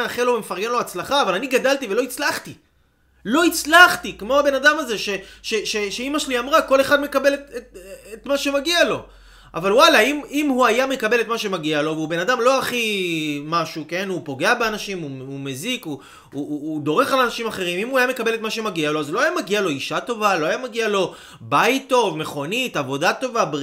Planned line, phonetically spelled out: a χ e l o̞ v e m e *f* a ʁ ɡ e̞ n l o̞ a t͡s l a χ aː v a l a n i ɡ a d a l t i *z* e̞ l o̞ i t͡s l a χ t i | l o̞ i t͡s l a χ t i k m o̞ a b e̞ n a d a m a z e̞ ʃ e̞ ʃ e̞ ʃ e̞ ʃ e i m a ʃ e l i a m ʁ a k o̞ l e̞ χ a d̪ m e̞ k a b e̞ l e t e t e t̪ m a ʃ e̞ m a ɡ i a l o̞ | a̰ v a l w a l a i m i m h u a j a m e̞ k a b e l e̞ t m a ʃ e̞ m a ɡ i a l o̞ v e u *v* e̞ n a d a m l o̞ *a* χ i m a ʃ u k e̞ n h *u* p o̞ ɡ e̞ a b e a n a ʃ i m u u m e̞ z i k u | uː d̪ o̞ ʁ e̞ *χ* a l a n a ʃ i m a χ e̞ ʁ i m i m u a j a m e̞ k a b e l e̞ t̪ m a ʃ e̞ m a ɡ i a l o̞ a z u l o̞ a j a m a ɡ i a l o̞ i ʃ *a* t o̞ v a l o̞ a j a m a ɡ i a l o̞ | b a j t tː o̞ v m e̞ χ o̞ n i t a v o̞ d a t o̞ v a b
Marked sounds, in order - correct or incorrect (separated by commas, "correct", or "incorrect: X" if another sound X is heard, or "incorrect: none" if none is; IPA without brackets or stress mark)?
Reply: correct, incorrect: v, incorrect: b, correct, correct, correct, correct